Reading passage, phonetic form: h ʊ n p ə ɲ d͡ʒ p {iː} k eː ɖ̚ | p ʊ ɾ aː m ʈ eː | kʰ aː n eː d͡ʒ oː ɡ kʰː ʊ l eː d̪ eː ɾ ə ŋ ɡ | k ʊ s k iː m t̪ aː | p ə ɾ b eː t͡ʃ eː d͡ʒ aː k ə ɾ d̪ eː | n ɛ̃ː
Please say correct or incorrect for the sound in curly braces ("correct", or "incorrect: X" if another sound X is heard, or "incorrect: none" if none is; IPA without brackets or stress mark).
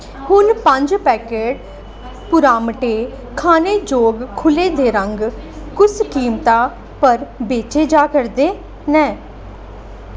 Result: incorrect: ɛː